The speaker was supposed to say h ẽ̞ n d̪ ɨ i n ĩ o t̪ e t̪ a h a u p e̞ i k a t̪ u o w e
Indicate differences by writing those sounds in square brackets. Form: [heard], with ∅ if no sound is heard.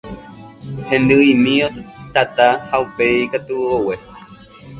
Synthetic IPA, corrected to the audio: h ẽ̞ n d̪ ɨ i [m] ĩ o t̪ [a] t̪ a h a u p e̞ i k a t̪ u o w e